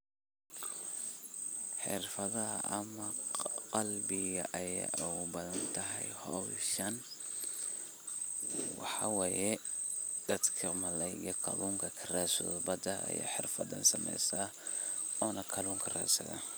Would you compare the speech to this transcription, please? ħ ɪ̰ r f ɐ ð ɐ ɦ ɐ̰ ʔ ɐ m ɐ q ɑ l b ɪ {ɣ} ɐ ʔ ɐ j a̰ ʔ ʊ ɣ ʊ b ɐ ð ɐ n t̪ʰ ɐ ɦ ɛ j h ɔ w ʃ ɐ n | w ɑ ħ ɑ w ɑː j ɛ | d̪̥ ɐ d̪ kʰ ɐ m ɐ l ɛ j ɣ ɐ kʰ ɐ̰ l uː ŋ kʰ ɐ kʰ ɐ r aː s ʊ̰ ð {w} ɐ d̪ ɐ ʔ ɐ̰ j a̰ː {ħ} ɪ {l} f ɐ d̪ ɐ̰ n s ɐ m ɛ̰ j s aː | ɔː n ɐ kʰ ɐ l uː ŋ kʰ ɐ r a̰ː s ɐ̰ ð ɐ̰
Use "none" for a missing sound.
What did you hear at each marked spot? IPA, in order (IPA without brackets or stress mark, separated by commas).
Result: ɣ, b, ħ, r